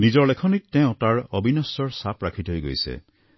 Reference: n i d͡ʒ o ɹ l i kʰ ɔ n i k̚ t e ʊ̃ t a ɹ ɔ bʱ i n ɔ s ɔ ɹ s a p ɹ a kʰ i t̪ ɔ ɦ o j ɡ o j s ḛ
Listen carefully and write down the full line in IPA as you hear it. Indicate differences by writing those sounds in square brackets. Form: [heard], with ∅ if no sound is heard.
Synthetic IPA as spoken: n i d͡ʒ [ɔ] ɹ l [e] kʰ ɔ n i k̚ t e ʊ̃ t a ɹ ɔ bʱ i n ɔ s ɔ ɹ s a p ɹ a kʰ i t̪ ɔ ɦ o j ɡ o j s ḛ